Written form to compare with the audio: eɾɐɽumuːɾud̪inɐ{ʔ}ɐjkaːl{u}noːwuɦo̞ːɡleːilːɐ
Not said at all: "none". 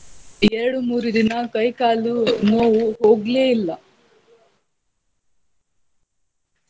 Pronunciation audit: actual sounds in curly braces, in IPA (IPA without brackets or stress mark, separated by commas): k, u